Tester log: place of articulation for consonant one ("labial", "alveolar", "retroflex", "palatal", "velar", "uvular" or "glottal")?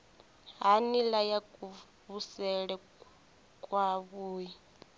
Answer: glottal